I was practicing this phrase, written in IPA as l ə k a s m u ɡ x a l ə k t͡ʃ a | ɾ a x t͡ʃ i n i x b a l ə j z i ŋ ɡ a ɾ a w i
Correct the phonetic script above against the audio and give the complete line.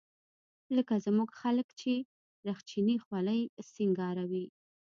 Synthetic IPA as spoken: l ə k a z m u ɡ x a l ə k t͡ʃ e | ɾ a x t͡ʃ i n i x w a l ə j s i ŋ ɡ ɑ ɾ a w i